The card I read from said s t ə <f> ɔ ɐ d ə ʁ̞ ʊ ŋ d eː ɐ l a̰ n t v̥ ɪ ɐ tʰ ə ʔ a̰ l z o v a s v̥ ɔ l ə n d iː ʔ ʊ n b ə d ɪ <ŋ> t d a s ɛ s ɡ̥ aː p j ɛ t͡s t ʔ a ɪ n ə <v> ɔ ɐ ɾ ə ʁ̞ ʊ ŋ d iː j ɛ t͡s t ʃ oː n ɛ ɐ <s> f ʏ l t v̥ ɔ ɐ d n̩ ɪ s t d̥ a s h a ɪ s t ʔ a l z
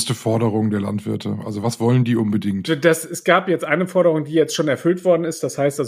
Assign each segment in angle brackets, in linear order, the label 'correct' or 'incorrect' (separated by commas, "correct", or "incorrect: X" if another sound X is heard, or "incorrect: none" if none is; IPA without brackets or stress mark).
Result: correct, correct, incorrect: f, incorrect: none